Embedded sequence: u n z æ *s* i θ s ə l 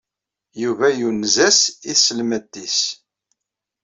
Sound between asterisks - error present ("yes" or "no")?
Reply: no